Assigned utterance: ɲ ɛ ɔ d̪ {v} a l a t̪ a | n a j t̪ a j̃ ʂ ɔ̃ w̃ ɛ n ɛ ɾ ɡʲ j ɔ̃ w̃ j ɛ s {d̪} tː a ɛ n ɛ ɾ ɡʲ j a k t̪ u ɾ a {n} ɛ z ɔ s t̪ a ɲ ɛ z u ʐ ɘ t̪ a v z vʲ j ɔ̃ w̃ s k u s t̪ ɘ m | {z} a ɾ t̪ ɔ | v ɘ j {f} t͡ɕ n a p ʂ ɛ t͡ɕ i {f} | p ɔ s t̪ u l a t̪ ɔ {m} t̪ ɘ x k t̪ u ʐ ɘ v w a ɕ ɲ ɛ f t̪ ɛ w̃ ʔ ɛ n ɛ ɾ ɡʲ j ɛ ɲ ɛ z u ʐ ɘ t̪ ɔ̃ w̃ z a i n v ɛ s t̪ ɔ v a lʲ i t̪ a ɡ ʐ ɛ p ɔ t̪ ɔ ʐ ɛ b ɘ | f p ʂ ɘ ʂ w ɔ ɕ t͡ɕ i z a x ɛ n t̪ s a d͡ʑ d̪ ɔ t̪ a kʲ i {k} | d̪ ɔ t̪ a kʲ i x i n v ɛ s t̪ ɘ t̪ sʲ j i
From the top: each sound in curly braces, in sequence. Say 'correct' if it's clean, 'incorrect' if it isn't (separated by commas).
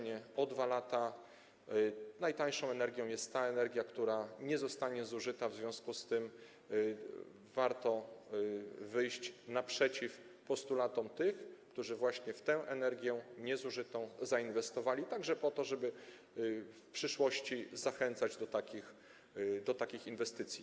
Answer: correct, incorrect, incorrect, incorrect, incorrect, correct, correct, incorrect